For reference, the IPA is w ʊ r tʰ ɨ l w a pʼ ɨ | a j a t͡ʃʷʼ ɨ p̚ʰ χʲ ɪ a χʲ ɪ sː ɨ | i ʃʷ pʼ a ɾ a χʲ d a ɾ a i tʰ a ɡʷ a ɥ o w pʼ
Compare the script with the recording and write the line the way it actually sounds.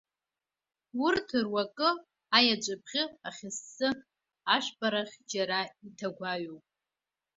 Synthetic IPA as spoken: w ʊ r tʰ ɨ r w a kʼ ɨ | a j a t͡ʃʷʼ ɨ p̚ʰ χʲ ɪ a χʲ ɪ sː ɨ | a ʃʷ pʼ a ɾ a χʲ d͡ʒ a ɾ a i tʰ a ɡʷ a ɥ o w pʼ